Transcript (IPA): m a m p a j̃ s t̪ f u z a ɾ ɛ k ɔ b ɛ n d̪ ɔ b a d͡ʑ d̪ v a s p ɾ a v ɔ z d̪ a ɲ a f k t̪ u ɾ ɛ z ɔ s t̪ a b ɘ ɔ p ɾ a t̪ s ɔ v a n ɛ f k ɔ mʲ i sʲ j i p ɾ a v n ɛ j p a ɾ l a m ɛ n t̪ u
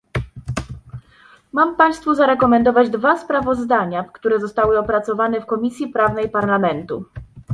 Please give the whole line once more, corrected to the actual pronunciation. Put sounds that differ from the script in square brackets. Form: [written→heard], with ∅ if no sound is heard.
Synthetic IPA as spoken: m a m p a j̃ s t̪ f u z a ɾ ɛ k ɔ [b→m] ɛ n d̪ ɔ [b→v] a d͡ʑ d̪ v a s p ɾ a v ɔ z d̪ a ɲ a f k t̪ u ɾ ɛ z ɔ s t̪ a [b→w] ɘ ɔ p ɾ a t̪ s ɔ v a n ɛ f k ɔ mʲ i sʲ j i p ɾ a v n ɛ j p a ɾ l a m ɛ n t̪ u